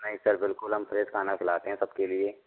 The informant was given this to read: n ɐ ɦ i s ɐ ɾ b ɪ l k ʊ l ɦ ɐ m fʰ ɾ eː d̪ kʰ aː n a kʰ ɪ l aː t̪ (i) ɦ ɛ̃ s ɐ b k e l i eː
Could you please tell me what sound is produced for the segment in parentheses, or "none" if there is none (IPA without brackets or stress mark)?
e